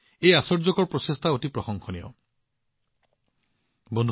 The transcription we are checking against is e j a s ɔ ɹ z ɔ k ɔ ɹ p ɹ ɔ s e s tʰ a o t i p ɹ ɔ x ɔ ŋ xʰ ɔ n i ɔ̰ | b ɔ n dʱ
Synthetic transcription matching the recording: e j a s ɔ ɹ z ɔ k ɔ ɹ p ɹ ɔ s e s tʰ a o t i p ɹ ɔ x ɔ ŋ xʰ ɔ n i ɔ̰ | b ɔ n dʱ